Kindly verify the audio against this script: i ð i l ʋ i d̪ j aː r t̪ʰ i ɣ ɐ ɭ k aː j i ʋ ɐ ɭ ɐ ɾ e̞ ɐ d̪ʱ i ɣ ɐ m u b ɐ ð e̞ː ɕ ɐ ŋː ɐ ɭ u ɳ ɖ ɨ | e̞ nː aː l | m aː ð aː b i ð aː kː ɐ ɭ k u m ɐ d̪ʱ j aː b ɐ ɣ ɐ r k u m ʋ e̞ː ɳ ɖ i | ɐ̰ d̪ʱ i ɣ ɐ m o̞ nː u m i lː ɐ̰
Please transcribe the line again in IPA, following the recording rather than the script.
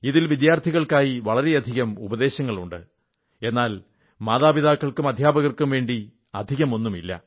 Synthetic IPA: i ð i l ʋ i d̪ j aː r t̪ʰ i ɣ ɐ ɭ k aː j i ʋ ɐ ɭ ɐ ɾ e̞ ɐ d̪ʱ i ɣ ɐ m u b ɐ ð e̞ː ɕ ɐ ŋː ɐ ɭ u ɳ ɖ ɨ | e̞ nː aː l | m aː ð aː b i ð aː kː ɐ ɭ k u m ɐ d̪ʱ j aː b ɐ ɣ ɐ r k u m ʋ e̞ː ɳ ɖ i | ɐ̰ d̪ʱ i ɣ ɐ m o̞ nː u m i lː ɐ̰

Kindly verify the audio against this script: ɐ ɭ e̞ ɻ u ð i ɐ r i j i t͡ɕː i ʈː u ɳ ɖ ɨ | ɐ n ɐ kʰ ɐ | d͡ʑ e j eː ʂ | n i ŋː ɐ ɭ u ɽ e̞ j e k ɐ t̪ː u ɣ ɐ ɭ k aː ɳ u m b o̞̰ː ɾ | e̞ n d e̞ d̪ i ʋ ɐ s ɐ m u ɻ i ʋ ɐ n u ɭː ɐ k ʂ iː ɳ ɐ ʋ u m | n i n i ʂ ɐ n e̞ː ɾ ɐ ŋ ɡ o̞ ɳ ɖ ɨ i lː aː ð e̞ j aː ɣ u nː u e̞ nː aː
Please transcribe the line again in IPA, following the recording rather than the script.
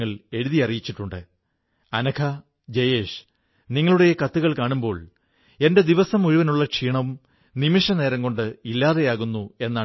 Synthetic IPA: ɐ ɭ e̞ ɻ u ð i ɐ r i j i t͡ɕː i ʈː u ɳ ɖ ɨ | ɐ n ɐ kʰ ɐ | d͡ʑ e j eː ʂ | n i ŋː ɐ ɭ u ɽ e̞ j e k ɐ t̪ː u ɣ ɐ ɭ k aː ɳ u m b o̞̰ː ɭ | e̞ n d e̞ d̪ i ʋ ɐ s ɐ m u ɻ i ʋ ɐ n u ɭː ɐ k ʂ iː ɳ ɐ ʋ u m | n i m i ʂ ɐ n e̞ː ɾ ɐ ŋ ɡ o̞ ɳ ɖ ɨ i lː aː ð e̞ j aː ɣ u nː u e̞ nː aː

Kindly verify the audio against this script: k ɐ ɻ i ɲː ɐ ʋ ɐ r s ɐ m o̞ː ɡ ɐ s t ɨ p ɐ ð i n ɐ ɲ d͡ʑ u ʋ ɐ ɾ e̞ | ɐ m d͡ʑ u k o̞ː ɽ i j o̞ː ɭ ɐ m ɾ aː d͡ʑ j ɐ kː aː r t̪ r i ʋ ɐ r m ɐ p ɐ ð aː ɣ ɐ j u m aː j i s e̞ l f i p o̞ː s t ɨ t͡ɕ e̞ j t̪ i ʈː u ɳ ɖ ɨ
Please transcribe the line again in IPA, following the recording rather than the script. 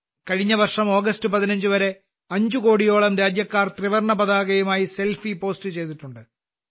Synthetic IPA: k ɐ ɻ i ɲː ɐ ʋ ɐ r ʂ ɐ m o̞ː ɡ ɐ s t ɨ p ɐ ð i n ɐ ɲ d͡ʑ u ʋ ɐ ɾ e̞ | ɐ ɲ d͡ʑ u k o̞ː ɽ i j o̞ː ɭ ɐ m ɾ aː d͡ʑ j ɐ kː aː r t̪ r i ʋ ɐ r ɳ ɐ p ɐ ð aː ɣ ɐ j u m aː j i s e̞ l f i p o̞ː s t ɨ t͡ɕ e̞ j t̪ i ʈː u ɳ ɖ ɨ

